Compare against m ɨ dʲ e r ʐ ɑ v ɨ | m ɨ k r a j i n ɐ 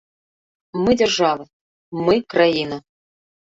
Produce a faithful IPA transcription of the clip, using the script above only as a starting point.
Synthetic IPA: m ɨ dʲ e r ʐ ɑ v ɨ | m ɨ k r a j i n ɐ